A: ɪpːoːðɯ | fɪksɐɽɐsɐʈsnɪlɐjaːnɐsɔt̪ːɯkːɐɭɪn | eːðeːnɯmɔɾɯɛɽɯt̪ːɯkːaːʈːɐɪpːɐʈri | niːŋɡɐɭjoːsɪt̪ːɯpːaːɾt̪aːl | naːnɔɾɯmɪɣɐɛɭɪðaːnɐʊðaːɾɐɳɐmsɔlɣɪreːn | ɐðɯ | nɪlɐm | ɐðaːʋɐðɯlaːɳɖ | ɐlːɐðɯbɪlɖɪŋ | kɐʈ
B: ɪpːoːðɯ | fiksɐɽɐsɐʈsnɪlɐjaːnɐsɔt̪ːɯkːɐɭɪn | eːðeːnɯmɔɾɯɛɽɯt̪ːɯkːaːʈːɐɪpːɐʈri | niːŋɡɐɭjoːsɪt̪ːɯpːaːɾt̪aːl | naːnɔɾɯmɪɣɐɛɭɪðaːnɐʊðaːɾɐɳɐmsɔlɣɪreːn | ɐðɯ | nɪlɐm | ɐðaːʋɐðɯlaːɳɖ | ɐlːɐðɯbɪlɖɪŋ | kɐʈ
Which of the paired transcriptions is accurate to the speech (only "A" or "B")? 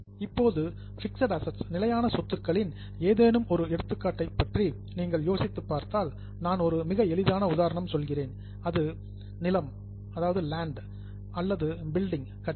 A